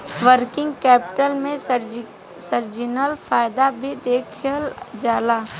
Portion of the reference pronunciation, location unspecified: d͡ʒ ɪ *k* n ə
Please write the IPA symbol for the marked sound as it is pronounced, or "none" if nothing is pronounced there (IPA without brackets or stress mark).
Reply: none